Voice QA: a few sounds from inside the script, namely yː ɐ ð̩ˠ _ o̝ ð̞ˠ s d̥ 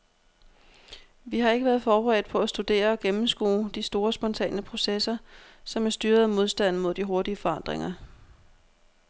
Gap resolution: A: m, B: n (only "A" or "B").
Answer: A